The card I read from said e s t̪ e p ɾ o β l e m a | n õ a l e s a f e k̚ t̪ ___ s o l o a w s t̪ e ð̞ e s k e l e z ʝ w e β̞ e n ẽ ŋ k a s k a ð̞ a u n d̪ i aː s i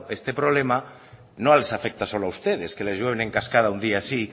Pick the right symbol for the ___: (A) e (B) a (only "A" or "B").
B